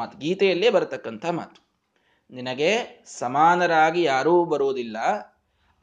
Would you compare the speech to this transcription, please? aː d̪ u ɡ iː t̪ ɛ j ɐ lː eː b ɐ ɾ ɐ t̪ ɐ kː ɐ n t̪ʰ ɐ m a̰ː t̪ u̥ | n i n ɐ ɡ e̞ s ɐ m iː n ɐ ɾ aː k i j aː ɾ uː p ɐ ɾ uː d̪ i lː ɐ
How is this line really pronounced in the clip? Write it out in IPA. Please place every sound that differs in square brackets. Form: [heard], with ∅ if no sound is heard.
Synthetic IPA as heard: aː [t̪] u ɡ iː t̪ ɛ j ɐ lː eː b ɐ ɾ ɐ t̪ ɐ kː ɐ n t̪ʰ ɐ m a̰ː t̪ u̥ | n i n ɐ ɡ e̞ s ɐ m [aː] n ɐ ɾ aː [ɡ] i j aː ɾ uː [b] ɐ ɾ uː d̪ i lː ɐ